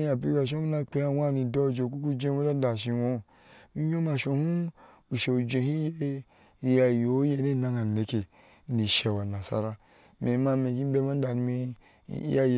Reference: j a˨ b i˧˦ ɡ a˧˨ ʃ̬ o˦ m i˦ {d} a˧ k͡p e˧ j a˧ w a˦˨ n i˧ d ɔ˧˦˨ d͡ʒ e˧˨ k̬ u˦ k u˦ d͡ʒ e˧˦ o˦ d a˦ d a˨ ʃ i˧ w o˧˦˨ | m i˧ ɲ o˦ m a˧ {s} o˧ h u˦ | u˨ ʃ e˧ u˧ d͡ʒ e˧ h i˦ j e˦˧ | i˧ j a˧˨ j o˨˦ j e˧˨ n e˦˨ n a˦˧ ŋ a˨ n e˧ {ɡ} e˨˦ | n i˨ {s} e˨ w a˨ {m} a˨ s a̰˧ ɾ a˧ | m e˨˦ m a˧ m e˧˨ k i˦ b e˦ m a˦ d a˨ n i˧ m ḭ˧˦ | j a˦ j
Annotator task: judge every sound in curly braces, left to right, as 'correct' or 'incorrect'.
incorrect: n, incorrect: ʃ, incorrect: k, incorrect: ʃ, incorrect: n

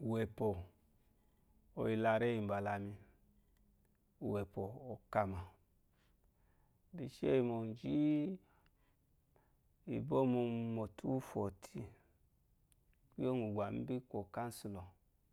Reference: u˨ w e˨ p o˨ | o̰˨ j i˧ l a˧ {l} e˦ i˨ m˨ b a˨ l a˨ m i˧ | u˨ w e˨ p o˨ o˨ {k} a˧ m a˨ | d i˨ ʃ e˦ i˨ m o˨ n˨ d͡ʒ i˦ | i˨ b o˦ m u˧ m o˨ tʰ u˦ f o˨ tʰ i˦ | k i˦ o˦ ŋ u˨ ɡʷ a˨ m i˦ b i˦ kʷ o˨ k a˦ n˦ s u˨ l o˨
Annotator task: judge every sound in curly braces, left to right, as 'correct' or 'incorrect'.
incorrect: ɾ, correct

